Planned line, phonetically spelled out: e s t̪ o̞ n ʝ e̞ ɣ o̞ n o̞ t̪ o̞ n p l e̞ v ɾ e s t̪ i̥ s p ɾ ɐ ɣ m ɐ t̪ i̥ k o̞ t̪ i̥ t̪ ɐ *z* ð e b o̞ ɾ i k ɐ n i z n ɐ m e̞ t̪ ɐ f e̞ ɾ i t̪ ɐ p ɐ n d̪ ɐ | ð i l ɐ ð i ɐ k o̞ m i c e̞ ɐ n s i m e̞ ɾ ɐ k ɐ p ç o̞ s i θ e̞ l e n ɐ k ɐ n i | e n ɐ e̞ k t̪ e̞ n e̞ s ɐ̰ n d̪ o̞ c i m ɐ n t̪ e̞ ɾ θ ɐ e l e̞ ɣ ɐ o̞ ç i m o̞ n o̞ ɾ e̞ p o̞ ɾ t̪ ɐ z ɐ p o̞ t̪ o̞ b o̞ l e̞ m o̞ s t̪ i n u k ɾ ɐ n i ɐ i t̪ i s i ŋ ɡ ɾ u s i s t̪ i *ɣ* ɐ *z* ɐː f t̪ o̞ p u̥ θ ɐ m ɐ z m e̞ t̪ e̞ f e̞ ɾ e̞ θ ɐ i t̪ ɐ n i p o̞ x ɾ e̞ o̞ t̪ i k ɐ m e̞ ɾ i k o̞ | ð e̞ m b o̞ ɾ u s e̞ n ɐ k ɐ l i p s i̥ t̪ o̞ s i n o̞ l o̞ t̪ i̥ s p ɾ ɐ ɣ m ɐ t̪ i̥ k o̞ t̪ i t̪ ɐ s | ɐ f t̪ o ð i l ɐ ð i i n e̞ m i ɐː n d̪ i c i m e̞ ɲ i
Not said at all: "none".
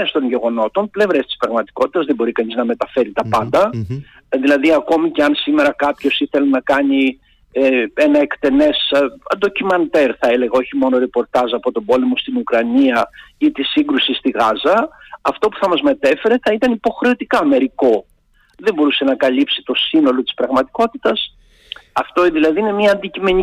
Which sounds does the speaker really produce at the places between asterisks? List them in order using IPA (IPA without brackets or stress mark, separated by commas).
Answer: z, ɣ, z